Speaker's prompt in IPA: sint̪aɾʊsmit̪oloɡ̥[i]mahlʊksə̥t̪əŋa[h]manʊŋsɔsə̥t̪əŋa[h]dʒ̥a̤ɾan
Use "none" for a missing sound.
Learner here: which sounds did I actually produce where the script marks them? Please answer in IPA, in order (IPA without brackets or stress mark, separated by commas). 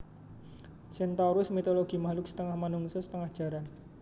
i, h, h